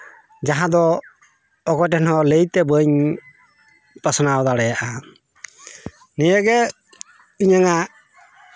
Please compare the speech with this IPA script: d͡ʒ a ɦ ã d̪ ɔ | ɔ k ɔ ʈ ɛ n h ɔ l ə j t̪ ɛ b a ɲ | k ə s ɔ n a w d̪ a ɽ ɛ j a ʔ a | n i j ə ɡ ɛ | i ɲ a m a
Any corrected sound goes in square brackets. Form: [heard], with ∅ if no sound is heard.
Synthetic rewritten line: d͡ʒ a ɦ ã d̪ ɔ | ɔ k ɔ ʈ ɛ n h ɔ l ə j t̪ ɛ b [ə] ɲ | [p] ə s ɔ n a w d̪ a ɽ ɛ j a ʔ a | n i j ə ɡ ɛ | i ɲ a [ŋ] a